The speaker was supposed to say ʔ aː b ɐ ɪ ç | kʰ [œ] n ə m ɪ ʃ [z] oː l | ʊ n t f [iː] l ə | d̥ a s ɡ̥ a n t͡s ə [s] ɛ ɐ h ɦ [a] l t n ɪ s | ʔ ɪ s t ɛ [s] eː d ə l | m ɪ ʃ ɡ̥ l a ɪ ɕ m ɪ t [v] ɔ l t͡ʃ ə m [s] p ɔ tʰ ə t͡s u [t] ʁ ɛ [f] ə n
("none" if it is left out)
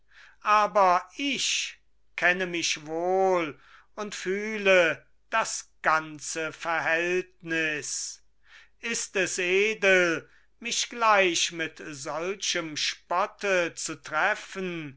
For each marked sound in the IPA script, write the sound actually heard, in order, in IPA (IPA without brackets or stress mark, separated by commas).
ɛ, v, yː, f, ɛ, s, z, ʃ, t, f